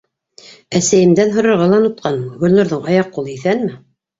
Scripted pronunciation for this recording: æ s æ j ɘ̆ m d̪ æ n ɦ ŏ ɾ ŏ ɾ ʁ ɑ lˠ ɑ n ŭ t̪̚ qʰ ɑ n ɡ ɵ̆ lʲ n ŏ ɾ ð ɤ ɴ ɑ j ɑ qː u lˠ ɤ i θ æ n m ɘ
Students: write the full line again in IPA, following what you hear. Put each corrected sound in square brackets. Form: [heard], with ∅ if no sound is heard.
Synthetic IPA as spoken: æ s æ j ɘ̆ m d̪ æ n ɦ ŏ ɾ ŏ ɾ ʁ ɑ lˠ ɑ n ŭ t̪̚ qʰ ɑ n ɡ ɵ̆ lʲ n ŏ ɾ ð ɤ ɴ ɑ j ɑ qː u lˠ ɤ i θ æ n m ɘ